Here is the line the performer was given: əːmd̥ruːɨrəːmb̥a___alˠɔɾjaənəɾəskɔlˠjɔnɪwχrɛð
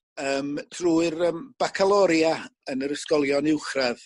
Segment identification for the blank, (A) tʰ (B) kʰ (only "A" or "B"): B